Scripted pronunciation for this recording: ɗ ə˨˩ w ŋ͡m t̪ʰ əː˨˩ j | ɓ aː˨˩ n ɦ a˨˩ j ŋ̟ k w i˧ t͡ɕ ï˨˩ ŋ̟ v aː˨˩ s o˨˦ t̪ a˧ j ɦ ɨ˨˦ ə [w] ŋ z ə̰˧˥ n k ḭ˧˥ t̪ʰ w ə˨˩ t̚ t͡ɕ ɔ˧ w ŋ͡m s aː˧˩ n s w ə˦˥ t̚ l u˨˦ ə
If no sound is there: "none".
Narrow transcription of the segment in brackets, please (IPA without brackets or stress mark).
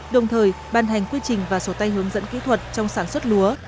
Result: none